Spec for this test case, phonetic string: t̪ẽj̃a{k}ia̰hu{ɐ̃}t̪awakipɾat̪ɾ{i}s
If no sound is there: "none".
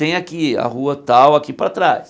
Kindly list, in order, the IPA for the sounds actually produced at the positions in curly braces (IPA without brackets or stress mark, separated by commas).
k, ɐ, a